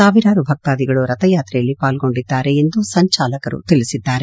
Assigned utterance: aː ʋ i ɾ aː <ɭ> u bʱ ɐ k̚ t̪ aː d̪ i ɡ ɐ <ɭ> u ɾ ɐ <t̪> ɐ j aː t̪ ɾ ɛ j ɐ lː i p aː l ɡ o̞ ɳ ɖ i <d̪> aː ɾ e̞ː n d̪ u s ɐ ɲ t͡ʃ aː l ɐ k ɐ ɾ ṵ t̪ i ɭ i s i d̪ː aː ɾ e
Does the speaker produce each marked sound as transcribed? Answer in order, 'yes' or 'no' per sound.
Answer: no, yes, yes, no

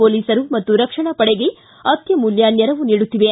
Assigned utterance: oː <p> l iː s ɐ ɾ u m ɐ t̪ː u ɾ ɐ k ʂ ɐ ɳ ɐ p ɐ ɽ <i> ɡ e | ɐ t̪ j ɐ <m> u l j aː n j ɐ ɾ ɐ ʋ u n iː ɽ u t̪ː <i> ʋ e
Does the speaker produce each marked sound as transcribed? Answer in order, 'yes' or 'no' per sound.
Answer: no, no, yes, yes

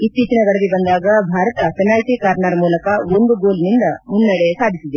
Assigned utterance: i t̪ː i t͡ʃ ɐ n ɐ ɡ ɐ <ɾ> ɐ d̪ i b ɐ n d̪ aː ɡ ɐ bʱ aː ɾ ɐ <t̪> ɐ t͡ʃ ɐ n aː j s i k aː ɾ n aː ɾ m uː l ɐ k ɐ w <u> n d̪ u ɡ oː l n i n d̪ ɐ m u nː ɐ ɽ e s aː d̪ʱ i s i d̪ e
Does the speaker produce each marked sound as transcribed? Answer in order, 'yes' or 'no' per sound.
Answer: no, yes, no

